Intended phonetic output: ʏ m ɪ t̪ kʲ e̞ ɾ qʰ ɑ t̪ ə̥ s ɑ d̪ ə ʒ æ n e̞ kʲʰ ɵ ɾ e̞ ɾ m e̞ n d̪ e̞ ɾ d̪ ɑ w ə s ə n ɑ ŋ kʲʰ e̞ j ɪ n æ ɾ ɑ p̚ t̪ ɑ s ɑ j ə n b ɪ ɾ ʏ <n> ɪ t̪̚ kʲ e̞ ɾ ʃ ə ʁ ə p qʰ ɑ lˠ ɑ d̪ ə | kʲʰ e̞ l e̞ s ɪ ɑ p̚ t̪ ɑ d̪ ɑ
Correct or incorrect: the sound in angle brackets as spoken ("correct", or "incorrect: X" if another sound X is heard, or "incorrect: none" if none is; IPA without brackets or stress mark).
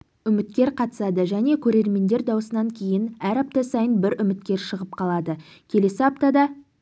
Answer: incorrect: m